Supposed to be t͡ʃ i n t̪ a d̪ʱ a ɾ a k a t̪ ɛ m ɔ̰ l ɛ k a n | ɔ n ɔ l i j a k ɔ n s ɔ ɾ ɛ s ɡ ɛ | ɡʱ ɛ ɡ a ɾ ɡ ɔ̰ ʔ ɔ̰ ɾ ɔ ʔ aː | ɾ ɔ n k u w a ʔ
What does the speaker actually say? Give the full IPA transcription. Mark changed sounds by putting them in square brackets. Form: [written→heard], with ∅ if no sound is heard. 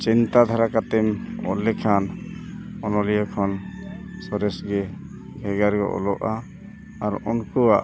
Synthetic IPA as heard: t͡ʃ i n t̪ a d̪ʱ a ɾ a k a t̪ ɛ m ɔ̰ l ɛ [k→kʰ] a n | ɔ n ɔ l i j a [k→kʰ] ɔ n s ɔ ɾ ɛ s ɡ ɛ | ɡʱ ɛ ɡ a ɾ ɡ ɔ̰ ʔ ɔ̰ [ɾ→l] ɔ ʔ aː | ɾ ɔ n k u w a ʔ